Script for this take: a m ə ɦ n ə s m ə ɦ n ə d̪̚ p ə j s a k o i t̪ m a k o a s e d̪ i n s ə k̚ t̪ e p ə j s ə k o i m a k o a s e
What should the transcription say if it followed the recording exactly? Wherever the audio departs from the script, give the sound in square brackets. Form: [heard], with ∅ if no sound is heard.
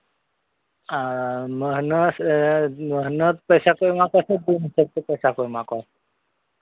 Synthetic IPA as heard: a m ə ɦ n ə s m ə ɦ n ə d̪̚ p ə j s a k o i [∅] m a k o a s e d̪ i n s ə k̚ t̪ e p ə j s [a] k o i m a k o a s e